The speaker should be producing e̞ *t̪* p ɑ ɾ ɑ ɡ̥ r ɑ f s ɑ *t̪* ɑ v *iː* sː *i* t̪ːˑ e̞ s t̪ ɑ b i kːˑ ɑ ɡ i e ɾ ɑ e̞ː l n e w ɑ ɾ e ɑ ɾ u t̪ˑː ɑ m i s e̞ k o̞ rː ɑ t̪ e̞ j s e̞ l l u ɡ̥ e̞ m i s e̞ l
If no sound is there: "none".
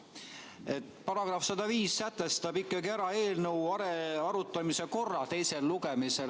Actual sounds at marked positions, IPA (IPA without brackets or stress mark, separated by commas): t̪, d̪, iː, æ